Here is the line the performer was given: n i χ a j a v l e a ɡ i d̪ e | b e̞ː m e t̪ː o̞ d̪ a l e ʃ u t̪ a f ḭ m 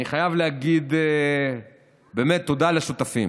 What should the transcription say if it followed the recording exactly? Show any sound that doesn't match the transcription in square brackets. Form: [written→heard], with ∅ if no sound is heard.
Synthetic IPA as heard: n i χ a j a v l e a ɡ i d̪ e | b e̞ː m e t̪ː o̞ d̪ a l e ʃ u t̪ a f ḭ m